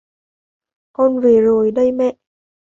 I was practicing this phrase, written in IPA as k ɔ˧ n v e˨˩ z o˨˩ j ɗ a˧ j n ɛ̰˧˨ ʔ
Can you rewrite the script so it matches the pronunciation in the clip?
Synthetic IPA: k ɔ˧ n v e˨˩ z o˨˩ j ɗ ə˧ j m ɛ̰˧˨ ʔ